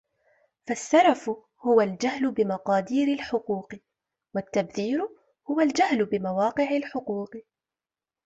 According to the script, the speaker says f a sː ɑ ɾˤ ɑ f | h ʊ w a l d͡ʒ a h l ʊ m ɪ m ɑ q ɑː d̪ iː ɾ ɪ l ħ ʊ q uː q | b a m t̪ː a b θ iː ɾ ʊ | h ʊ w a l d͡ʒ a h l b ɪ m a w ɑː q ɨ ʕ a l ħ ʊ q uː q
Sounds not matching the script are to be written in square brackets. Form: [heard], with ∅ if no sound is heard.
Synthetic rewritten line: f a sː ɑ ɾˤ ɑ f | h ʊ w a l d͡ʒ a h l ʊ [b] ɪ m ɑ q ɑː d̪ iː ɾ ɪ l ħ ʊ q uː q | [w] a [∅] t̪ː a b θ iː ɾ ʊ | h ʊ w a l d͡ʒ a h l b ɪ m a w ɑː q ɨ ʕ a l ħ ʊ q uː q